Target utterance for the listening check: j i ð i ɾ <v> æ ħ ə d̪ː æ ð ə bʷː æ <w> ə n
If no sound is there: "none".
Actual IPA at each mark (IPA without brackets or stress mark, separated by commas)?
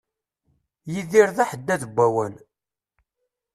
ð, w